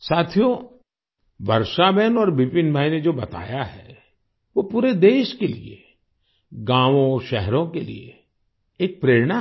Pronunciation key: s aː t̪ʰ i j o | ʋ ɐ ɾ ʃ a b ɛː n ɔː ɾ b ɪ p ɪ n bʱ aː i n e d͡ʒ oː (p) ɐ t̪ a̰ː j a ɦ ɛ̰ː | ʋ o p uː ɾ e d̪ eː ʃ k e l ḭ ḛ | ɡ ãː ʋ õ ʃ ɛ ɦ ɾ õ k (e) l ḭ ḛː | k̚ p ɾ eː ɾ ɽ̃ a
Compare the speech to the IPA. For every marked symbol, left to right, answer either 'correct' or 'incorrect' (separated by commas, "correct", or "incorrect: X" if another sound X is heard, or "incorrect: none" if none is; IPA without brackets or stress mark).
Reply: incorrect: b, correct